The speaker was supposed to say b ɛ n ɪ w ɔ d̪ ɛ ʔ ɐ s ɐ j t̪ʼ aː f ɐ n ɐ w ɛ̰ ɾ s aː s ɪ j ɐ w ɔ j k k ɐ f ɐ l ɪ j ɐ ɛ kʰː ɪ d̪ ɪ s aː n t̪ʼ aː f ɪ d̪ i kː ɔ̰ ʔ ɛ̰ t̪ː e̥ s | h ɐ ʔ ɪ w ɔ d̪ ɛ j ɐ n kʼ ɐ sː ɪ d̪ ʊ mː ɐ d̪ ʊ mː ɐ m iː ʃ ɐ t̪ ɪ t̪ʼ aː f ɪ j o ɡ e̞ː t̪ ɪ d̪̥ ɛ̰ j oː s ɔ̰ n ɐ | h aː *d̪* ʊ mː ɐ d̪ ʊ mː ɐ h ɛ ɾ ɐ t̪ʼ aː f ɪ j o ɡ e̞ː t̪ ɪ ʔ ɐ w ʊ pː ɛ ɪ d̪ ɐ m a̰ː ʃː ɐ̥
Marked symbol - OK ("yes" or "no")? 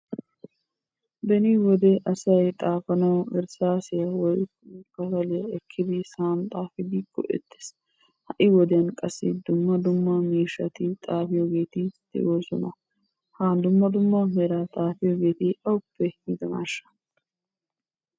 yes